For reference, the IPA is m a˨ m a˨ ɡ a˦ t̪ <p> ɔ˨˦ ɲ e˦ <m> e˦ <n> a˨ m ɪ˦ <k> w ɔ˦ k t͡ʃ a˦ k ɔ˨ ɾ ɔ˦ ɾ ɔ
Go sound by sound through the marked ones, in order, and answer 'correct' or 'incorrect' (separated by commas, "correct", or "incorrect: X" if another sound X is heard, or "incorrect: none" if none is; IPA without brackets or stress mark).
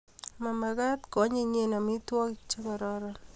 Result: incorrect: k, incorrect: ɲ, correct, incorrect: t